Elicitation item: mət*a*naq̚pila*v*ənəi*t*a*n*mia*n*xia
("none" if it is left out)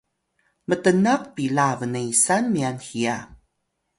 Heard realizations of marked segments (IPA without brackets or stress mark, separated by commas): ə, v, s, n, n